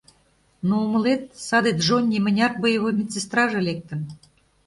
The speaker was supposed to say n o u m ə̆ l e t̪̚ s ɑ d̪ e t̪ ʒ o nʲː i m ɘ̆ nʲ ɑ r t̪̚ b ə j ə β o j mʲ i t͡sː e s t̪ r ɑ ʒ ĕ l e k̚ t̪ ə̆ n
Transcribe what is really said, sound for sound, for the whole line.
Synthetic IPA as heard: n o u m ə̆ l e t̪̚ s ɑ d̪ e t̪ ʒ o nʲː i m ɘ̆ nʲ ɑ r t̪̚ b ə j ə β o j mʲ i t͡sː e s t̪ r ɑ ʒ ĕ l e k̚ t̪ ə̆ n